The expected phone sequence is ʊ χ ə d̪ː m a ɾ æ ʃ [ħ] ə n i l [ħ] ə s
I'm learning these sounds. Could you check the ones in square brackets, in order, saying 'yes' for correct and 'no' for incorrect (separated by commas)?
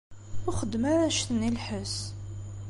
no, yes